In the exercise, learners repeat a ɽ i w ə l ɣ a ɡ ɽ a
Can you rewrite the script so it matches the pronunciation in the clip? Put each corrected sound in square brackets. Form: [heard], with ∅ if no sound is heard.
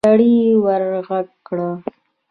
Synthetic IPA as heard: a ɽ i w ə [ɾ] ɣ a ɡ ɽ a

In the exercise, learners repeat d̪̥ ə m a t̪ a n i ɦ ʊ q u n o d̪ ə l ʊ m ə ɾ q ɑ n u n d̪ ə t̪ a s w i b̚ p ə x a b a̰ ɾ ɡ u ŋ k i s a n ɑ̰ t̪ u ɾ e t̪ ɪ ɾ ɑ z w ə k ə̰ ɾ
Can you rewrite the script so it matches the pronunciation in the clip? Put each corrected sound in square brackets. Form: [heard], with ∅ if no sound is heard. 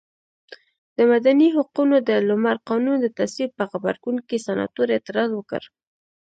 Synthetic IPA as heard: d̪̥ ə m a [d̪] a n i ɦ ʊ q u n o d̪ ə l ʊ m [a] ɾ q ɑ n u n d̪ ə t̪ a s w i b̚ p ə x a b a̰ ɾ ɡ u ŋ k i s a n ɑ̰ t̪ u ɾ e t̪ ɪ ɾ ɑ z w ə k ə̰ ɾ

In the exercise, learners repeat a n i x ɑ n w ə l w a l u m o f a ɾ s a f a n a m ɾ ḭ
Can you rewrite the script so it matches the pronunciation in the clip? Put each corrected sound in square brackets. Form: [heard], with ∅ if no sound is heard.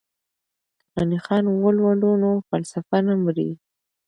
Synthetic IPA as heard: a n i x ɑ n w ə l w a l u [n] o f a [l] s a f a n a m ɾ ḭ

